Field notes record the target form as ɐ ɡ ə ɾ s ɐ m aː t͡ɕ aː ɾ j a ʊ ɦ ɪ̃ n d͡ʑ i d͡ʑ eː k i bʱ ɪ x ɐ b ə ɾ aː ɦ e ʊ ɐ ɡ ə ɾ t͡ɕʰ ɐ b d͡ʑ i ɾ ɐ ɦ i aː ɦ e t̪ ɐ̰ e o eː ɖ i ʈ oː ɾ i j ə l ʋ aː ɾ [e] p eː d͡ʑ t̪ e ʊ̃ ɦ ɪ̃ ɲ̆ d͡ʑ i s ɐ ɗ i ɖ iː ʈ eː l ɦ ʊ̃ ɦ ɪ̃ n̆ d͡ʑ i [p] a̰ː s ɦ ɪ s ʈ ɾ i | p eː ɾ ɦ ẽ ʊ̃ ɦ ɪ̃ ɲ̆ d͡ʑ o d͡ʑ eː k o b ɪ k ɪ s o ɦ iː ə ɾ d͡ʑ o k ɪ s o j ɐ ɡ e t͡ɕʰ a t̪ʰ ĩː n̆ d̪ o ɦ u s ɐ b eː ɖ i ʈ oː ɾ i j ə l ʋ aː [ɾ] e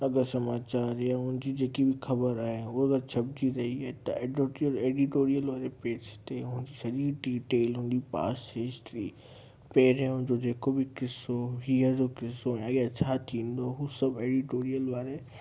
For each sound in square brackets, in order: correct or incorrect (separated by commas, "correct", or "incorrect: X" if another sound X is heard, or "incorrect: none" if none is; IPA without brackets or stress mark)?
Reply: correct, correct, correct